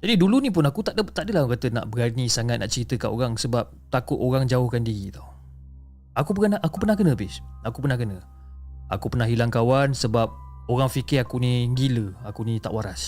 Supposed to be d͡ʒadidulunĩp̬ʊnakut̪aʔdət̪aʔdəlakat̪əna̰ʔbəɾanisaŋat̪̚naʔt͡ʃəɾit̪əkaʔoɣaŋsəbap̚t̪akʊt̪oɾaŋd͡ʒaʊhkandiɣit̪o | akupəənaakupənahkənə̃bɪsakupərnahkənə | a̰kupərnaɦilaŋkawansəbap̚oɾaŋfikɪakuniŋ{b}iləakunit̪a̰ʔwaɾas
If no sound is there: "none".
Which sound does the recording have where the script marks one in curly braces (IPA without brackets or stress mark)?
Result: ɡ